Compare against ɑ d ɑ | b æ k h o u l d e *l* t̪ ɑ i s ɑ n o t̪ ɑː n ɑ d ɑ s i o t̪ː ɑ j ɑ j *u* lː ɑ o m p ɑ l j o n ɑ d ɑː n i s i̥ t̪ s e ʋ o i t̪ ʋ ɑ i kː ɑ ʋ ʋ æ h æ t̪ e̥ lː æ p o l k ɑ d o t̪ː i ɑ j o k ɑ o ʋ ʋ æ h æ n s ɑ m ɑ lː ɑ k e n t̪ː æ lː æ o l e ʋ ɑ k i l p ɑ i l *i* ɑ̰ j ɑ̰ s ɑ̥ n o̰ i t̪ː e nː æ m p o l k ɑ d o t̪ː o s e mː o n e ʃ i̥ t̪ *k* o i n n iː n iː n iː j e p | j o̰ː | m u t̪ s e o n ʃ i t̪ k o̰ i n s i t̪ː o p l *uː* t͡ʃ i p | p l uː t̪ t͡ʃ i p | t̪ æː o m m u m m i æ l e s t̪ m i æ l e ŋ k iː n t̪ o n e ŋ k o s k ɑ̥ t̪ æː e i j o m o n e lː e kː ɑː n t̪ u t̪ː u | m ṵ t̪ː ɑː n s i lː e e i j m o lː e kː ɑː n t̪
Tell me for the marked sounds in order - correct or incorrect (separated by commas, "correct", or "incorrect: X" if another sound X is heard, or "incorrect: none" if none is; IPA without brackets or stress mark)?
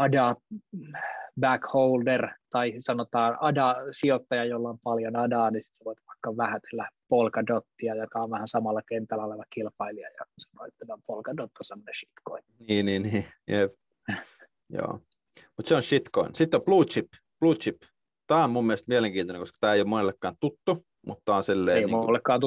incorrect: r, incorrect: o, correct, correct, correct